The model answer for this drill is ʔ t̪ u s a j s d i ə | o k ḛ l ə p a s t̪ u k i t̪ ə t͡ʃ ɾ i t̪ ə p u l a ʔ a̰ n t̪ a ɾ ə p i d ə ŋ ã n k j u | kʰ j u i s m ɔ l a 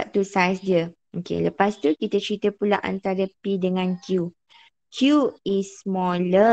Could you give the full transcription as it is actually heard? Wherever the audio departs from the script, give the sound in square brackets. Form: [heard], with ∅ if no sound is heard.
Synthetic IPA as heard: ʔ t̪ u s a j s d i ə | o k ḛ l ə p a s t̪ u k i t̪ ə t͡ʃ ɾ i t̪ ə p u l a ʔ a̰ n t̪ a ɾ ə p i d ə ŋ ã n k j u | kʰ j u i s m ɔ l [ə]

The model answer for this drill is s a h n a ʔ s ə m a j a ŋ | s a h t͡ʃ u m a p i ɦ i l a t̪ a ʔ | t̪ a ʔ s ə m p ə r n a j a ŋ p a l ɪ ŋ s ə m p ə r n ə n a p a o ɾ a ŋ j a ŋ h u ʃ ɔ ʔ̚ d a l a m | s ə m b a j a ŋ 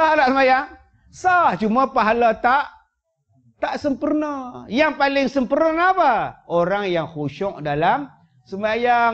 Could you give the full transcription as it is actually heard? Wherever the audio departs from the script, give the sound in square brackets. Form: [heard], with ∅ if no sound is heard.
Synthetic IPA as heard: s a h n a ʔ s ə m a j a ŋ | s a h t͡ʃ u m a p [a] ɦ [a] l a t̪ a ʔ | t̪ a ʔ s ə m p ə r n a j a ŋ p a l ɪ ŋ s ə m p ə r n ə n a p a o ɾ a ŋ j a ŋ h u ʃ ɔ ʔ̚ d a l a m | s ə m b a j a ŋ

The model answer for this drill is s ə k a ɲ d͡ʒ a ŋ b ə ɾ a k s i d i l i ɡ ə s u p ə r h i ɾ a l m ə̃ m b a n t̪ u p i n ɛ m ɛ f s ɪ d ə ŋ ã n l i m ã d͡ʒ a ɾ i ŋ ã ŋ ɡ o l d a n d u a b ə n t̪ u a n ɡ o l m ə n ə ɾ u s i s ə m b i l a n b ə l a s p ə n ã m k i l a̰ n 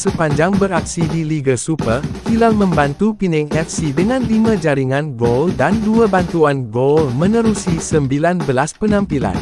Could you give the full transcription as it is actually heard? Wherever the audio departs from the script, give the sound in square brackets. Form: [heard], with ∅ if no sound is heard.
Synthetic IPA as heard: s ə [p] a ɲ d͡ʒ a ŋ b ə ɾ a k s i d i l i ɡ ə s u p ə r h i [l] a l m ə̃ m b a n t̪ u p i n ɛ [ŋ] ɛ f s [i] d ə ŋ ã n l i m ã d͡ʒ a ɾ i ŋ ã [n] ɡ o l d a n d u a b [a] n t̪ u a n ɡ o l m ə n ə ɾ u s i s ə m b i l a n b ə l a s p ə n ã m [p] i l a̰ n

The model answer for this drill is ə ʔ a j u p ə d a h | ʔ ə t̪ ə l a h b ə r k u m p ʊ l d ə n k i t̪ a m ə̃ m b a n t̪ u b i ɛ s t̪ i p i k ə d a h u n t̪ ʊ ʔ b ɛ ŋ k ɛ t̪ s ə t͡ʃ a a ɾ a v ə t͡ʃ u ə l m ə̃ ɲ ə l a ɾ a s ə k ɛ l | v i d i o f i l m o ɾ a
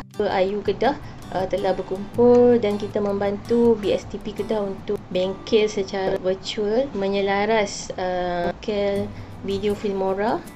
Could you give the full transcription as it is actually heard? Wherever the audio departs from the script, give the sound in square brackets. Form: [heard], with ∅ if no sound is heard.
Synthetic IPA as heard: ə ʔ a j u [k] ə d a h | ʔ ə t̪ ə l a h b ə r k u m p ʊ l d [a] n k i t̪ a m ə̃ m b a n t̪ u b i ɛ s t̪ i p i k ə d a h u n t̪ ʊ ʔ b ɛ ŋ k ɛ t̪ s ə t͡ʃ a a ɾ a v ə t͡ʃ u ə l m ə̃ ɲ ə l a ɾ a s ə k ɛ l | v i d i o f i l m o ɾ a

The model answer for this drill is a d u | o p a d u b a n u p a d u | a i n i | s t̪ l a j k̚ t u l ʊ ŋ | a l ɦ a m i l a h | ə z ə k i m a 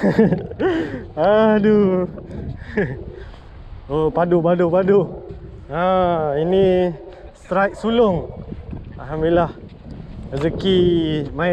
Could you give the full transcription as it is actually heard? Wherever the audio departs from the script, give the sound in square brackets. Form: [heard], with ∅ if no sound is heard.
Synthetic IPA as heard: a d u | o p a d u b a [d] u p a d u | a i n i | s t̪ [ɾ] a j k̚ [s] u l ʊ ŋ | a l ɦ a m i l a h | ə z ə k i m a

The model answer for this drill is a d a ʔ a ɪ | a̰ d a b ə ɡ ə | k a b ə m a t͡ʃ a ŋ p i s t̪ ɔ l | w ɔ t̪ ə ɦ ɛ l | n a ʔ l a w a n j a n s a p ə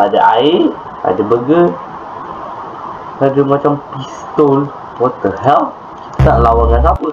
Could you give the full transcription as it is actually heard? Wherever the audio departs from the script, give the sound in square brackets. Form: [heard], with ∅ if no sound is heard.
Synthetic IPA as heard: a d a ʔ a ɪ | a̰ d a b ə ɡ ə | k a [d] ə m a t͡ʃ a [m] p i s t̪ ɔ l | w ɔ t̪ ə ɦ ɛ l | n a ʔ l a w a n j a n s a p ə

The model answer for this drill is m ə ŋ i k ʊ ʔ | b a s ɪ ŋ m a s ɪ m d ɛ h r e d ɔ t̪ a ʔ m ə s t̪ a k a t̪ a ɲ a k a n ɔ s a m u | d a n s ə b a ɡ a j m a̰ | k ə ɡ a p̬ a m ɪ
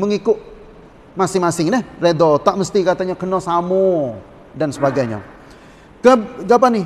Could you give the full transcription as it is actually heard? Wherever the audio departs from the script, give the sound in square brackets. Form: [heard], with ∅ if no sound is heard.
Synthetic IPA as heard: m ə ŋ i k ʊ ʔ | [m] a s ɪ ŋ m a s ɪ [ŋ] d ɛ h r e d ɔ t̪ a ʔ m ə s t̪ [i] k a t̪ a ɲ a k [ə] n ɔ s a m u | d a n s ə b a ɡ a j [ɲ] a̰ | k ə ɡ a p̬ a [n] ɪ

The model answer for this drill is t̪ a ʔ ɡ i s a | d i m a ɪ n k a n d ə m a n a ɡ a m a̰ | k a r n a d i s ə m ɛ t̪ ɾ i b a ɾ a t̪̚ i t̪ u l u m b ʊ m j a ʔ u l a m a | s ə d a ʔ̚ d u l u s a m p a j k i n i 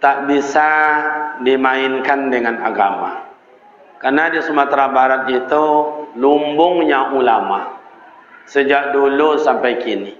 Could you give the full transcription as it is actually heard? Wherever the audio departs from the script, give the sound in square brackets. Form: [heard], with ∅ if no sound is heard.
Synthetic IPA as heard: t̪ a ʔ [b] i s a | d i m a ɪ n k a n d ə [ŋ] a n a ɡ a m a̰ | k a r n a d i s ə m [a] t̪ ɾ [a] b a ɾ a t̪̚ i t̪ u l u m b ʊ [ŋ] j a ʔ u l a m a | s ə [d͡ʒ] a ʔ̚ d u l u s a m p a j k i n i

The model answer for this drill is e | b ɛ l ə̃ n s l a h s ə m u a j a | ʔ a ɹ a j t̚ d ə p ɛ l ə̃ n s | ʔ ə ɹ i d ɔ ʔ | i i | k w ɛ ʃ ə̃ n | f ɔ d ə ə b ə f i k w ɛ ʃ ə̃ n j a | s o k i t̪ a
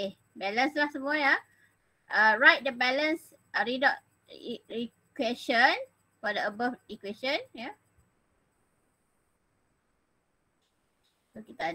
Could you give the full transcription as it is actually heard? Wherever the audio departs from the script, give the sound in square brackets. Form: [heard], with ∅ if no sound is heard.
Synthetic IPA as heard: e | b ɛ l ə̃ n s l a h s ə m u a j a | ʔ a ɹ a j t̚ d ə [b] ɛ l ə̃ n s | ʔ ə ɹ i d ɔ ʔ | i i | k w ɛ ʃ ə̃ n | f ɔ d ə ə b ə f i k w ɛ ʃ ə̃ n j a | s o k i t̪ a

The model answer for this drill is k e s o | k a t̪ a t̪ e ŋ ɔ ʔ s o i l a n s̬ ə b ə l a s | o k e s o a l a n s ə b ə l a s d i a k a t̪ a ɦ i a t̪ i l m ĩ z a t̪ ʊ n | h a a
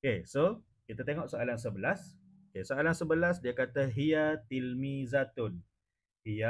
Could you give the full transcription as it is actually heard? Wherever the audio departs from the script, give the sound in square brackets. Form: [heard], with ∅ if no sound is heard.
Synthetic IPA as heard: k e s o | k [i] t̪ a t̪ e ŋ ɔ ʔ s o [a] l a n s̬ ə b ə l a s | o k e s o a l a n s ə b ə l a s d i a k a t̪ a ɦ i a t̪ i l m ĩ z a t̪ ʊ n | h [i] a

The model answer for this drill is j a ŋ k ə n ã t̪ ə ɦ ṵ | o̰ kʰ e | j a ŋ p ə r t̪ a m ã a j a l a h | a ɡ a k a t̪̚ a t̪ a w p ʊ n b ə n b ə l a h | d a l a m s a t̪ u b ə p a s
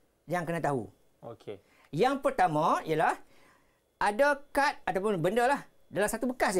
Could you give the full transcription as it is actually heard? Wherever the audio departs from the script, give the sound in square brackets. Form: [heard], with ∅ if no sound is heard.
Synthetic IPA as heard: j a ŋ k ə n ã t̪ [a] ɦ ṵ | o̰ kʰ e | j a ŋ p ə r t̪ a m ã [i] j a l a h | a [d] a k a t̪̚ a t̪ a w p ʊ n b ə n [d] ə l a h | d a l a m s a t̪ u b ə [k] a s

